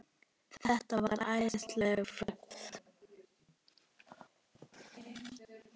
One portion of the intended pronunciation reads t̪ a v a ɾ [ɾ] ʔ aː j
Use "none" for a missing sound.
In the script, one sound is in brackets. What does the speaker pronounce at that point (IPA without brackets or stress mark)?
ɾ